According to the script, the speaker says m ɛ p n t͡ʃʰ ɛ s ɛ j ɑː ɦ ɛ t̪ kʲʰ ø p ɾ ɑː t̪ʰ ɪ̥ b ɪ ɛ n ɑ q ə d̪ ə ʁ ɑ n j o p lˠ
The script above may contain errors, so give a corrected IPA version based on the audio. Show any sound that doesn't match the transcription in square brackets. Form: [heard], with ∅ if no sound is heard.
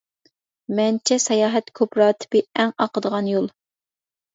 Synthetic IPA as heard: m ɛ [∅] n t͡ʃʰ ɛ s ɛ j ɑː ɦ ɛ t̪ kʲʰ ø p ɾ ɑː t̪ʰ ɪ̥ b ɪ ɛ [ŋ] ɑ q ə d̪ ə ʁ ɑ n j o [∅] lˠ